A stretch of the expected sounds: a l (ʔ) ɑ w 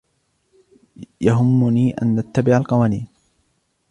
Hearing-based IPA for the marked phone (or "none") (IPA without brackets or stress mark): q